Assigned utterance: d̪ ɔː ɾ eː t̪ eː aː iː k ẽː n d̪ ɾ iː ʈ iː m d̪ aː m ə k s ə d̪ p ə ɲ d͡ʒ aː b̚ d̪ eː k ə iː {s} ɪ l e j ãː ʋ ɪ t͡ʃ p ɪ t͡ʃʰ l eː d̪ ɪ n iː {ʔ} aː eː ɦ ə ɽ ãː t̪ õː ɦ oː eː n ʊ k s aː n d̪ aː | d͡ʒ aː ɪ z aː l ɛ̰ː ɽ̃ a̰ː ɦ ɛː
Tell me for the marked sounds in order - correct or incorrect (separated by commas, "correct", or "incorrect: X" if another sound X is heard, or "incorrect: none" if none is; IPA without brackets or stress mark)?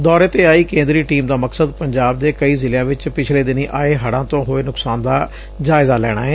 incorrect: z, correct